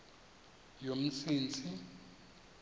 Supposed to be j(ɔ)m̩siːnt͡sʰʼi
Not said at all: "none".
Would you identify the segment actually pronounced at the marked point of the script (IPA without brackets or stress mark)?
o